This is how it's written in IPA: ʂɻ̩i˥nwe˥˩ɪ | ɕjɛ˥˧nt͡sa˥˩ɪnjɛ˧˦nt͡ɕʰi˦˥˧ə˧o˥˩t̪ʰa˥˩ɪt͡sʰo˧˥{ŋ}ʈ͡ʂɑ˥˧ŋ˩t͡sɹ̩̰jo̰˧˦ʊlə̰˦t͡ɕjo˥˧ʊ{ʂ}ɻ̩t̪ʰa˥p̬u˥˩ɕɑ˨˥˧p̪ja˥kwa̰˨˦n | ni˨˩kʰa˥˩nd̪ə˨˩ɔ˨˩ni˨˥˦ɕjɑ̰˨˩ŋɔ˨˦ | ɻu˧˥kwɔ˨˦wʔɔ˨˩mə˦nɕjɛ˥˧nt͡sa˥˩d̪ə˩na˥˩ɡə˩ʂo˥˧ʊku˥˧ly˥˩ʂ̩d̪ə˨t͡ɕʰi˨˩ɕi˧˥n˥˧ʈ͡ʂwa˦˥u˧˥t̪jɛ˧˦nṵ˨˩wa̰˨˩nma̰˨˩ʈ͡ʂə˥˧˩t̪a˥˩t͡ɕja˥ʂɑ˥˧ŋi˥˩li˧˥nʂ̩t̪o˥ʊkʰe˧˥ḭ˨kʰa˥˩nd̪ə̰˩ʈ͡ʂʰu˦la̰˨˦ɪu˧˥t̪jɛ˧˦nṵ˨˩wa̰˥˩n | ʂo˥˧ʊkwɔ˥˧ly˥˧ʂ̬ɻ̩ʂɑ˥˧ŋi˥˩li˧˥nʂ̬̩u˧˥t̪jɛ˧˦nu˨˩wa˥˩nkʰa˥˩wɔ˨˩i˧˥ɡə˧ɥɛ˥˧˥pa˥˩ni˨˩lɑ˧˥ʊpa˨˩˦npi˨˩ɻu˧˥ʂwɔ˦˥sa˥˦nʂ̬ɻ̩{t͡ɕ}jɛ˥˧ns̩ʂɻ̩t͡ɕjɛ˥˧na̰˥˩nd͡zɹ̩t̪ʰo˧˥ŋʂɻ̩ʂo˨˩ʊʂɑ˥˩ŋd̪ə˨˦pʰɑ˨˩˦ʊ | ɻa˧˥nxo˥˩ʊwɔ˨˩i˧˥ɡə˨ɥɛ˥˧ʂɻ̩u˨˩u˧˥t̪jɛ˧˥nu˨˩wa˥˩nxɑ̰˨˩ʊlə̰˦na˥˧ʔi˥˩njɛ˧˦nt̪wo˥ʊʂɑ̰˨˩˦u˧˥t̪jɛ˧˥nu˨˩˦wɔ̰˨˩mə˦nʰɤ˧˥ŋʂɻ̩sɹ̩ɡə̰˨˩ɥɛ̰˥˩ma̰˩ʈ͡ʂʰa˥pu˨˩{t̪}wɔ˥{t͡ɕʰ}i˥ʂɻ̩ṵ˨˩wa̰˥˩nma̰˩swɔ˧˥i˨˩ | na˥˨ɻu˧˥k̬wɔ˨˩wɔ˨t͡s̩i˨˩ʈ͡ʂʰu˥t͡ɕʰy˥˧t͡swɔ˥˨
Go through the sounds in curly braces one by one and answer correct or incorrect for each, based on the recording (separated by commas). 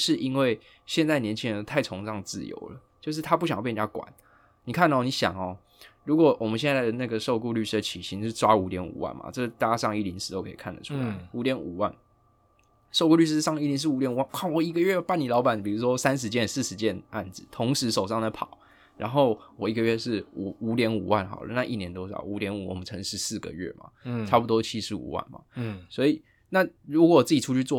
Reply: correct, correct, correct, correct, correct